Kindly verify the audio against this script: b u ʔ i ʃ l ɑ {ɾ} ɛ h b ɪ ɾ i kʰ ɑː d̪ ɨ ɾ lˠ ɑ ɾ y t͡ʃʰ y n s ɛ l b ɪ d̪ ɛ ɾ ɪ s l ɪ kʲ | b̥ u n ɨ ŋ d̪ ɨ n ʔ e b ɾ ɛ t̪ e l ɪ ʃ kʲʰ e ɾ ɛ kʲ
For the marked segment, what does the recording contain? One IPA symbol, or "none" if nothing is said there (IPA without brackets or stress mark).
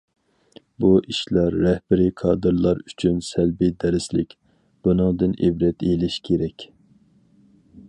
ɾː